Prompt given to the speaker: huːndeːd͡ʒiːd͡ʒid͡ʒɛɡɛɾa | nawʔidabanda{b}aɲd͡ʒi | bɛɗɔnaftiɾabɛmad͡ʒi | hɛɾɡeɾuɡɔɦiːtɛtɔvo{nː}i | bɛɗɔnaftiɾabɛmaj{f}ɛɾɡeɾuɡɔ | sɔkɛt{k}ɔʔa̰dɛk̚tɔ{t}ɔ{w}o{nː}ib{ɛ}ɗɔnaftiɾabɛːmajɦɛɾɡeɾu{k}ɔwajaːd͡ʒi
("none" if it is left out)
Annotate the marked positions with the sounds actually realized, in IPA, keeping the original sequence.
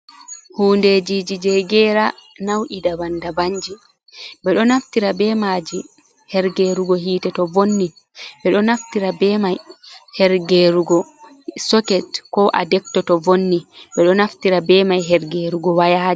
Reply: b, nː, h, k, t, v, nː, ɛ, ɡ

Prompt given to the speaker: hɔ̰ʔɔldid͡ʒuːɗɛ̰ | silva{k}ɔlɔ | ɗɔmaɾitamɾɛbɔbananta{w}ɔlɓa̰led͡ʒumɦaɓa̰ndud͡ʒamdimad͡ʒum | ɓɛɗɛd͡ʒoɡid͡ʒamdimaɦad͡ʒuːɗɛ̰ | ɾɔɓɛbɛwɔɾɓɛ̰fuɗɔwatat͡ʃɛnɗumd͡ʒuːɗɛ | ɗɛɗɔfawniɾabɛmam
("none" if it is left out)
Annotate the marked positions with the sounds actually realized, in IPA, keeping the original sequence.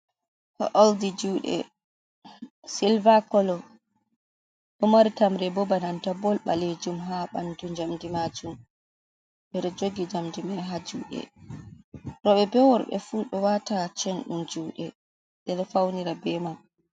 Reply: k, b

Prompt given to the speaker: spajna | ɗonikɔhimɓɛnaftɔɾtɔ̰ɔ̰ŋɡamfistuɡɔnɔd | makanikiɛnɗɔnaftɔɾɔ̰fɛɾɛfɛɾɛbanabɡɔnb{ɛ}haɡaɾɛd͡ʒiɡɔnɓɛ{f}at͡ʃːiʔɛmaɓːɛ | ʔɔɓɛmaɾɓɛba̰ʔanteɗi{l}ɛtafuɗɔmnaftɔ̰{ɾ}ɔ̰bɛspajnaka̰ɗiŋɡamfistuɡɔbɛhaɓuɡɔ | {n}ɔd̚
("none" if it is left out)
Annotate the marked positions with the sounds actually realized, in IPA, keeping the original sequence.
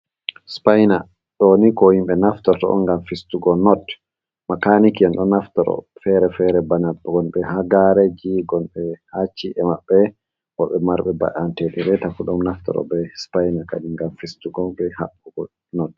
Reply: ɛ, h, ɾ, ɾ, n

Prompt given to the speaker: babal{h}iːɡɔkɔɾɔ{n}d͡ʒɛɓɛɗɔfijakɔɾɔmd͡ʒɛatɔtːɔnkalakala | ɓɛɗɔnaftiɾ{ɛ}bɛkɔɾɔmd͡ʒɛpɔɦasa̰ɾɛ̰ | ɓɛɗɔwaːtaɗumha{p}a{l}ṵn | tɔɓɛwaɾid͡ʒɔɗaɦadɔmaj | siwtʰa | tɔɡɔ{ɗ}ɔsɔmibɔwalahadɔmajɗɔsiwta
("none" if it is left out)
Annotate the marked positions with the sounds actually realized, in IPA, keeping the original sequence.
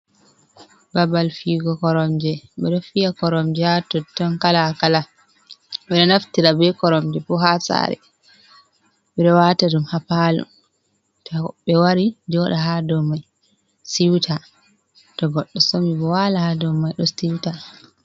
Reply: f, m, a, p, l, ɗː

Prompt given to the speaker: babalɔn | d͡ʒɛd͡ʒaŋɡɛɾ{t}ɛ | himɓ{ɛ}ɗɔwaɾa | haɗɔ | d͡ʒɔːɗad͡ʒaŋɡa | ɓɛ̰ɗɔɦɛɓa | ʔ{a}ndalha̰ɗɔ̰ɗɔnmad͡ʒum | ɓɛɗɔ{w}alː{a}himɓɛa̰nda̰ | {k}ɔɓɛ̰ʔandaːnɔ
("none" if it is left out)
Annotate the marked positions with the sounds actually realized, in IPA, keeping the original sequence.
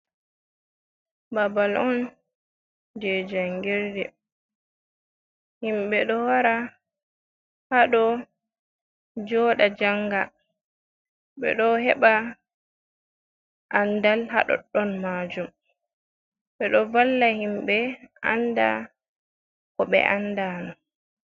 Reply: d, ɛ, a, v, a, k

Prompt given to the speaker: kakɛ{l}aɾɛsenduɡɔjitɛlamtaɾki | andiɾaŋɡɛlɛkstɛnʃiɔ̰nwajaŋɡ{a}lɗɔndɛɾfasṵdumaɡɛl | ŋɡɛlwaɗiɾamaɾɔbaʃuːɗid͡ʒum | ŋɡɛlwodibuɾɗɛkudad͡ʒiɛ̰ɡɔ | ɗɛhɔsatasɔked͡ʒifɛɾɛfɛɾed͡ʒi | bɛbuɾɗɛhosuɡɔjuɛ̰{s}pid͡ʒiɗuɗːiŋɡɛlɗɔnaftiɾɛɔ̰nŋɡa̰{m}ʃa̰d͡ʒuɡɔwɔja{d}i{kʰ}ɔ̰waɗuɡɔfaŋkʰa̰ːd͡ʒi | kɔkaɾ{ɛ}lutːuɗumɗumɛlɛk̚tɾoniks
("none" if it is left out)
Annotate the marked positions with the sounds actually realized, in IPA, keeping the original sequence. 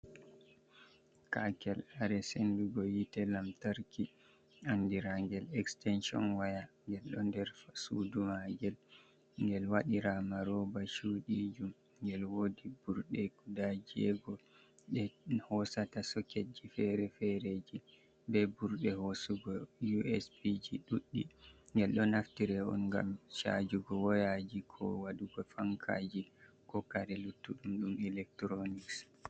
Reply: l, ɛ, s, m, d͡ʒ, kʰ, ɛ

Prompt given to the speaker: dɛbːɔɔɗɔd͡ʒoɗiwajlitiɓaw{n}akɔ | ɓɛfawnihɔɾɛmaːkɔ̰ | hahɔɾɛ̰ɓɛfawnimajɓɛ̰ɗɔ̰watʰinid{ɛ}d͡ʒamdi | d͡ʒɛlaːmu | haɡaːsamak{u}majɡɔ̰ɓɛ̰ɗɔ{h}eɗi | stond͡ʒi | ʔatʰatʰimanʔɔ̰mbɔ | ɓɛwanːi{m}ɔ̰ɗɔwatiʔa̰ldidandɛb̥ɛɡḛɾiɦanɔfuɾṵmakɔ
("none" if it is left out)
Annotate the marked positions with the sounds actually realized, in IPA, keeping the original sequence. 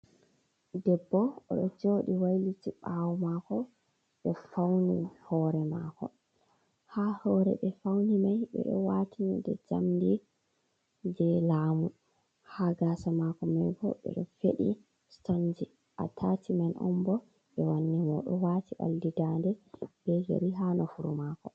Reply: m, ɛ, ɔ, f, m

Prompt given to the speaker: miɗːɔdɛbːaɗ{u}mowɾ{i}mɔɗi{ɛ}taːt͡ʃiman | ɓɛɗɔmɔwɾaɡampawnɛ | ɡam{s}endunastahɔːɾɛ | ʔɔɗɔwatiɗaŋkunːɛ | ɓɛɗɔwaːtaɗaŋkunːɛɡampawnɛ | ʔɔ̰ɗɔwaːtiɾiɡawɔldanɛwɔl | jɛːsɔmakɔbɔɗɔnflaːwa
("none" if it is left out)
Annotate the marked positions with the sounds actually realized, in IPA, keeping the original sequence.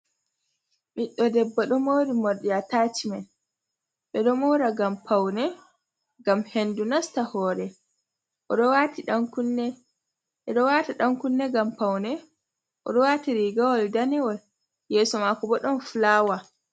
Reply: ɔ, i, a, h

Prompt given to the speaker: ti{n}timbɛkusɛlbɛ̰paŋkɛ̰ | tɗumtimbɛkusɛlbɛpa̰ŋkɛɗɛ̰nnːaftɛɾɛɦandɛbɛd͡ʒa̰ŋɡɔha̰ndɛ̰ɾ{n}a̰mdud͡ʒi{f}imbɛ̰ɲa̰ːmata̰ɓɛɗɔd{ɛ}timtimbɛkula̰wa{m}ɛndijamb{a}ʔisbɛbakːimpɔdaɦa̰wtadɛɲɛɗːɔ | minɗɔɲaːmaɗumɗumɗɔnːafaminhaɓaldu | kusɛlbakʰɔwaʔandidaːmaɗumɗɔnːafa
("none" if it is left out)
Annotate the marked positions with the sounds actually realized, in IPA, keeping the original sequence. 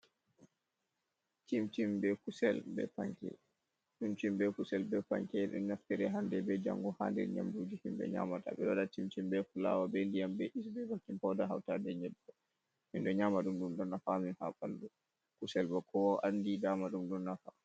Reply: m, ɲ, h, a, b, ɛ

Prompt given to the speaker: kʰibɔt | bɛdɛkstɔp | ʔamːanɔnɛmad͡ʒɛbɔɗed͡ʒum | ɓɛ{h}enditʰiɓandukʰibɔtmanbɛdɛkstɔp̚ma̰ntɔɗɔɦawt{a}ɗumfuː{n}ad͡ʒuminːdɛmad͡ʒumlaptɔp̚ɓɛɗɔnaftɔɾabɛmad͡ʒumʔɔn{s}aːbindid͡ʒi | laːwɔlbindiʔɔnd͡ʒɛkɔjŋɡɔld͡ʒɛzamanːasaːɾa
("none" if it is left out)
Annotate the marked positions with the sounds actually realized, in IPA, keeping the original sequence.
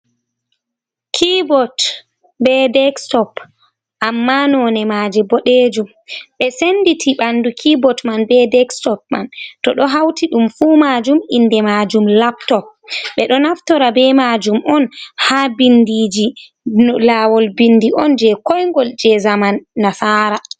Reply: s, i, m, h

